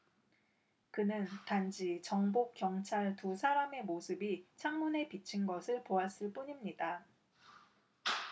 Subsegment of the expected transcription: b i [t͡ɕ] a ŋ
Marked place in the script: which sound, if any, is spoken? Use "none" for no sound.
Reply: t͡ɕʰ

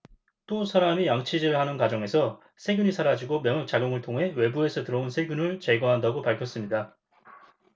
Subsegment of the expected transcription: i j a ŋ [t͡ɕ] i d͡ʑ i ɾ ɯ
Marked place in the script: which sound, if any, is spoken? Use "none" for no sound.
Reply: t͡ɕʰ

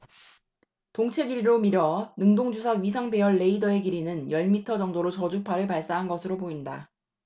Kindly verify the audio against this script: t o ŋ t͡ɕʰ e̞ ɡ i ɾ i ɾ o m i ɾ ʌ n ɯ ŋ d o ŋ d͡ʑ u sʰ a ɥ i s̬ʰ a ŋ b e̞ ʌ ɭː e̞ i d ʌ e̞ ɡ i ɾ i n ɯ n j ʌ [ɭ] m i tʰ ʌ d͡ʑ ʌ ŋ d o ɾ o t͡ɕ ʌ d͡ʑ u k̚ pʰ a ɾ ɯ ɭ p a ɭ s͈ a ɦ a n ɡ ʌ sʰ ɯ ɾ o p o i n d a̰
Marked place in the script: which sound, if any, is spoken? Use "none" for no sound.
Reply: ɭ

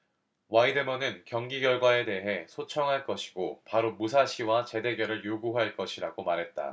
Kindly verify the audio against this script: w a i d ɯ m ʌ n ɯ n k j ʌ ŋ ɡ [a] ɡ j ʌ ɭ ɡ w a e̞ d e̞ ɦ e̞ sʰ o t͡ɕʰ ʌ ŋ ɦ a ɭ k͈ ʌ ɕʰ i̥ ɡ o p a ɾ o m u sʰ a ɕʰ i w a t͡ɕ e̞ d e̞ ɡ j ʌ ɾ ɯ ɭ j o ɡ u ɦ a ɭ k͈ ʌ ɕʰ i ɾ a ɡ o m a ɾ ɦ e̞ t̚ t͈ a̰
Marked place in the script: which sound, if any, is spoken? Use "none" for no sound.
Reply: i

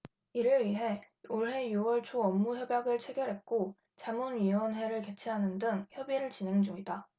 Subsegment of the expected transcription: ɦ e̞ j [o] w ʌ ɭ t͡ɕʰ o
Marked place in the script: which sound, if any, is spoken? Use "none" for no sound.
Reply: u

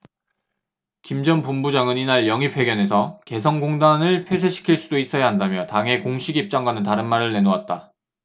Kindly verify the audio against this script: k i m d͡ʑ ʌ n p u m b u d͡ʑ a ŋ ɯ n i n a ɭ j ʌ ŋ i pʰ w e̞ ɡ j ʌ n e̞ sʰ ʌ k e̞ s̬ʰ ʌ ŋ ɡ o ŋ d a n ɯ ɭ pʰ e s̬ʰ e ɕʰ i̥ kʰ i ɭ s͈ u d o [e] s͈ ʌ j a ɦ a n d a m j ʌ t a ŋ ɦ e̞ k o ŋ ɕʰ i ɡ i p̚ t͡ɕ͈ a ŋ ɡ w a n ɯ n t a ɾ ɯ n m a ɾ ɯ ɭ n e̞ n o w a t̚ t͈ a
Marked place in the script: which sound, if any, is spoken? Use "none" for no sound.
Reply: i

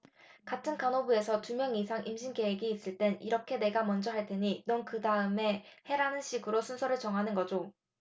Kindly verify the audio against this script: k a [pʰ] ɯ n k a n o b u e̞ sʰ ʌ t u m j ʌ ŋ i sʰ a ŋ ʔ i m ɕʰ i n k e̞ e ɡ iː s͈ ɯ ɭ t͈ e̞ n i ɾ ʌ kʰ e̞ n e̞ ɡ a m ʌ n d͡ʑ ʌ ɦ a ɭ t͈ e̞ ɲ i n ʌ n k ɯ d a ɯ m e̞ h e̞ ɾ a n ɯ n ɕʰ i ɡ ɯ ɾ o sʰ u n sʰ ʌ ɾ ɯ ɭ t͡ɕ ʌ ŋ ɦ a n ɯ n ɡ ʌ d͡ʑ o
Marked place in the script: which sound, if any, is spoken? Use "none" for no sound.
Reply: tʰ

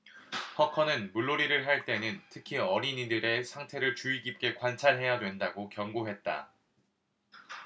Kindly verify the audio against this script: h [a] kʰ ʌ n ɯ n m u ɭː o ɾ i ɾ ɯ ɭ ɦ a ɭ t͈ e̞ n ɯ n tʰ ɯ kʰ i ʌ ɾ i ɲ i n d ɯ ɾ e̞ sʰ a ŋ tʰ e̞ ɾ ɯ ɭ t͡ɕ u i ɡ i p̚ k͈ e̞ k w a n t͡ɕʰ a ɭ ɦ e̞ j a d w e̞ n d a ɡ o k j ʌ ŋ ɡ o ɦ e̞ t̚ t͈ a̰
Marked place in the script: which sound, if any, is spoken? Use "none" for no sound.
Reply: ʌ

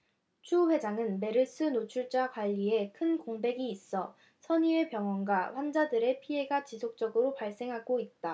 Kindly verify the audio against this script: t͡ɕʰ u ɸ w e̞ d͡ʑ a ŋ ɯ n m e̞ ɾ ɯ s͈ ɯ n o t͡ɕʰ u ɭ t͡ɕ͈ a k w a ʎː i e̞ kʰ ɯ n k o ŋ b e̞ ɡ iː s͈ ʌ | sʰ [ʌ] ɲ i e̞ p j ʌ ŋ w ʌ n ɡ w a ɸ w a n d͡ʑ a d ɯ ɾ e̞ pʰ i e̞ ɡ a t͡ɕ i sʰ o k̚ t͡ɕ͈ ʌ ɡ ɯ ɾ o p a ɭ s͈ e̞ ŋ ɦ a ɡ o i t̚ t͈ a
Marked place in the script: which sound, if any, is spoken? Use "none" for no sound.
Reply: ʌ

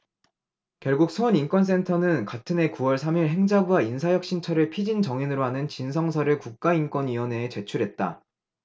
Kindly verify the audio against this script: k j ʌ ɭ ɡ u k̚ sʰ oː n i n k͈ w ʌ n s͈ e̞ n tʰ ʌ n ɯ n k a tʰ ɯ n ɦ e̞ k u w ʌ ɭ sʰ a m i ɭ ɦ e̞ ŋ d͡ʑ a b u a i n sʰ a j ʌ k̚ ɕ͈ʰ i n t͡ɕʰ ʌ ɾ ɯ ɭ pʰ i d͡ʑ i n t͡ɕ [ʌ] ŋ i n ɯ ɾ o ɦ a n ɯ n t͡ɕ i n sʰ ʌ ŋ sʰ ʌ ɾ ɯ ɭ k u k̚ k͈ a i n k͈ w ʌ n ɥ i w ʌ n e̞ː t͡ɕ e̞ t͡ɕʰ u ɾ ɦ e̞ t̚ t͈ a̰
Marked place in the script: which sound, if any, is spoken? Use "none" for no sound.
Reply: ʌ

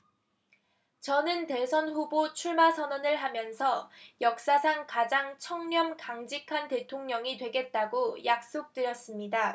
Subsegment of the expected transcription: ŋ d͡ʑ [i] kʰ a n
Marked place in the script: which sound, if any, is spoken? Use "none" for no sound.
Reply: i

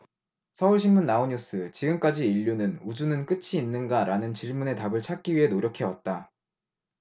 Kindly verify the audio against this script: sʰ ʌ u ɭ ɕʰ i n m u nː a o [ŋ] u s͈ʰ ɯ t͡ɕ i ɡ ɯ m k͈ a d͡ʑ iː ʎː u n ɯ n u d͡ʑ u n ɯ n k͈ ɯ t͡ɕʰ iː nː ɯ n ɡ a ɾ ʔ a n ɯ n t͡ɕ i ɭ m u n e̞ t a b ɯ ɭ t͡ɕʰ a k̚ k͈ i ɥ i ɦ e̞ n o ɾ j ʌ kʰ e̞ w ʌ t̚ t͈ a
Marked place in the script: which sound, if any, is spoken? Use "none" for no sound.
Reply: ɲ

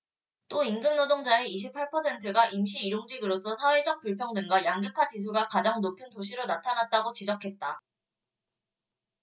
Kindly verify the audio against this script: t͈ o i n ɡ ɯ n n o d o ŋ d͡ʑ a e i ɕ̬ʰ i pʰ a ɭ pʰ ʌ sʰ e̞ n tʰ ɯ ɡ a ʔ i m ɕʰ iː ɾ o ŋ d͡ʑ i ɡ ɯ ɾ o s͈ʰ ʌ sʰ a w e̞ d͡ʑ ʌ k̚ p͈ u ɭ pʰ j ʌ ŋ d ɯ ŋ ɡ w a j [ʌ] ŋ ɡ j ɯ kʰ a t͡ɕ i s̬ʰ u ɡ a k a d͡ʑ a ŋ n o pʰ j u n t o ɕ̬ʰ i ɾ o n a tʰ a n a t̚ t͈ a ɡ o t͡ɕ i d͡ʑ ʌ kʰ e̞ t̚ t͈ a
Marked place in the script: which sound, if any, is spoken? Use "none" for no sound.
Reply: a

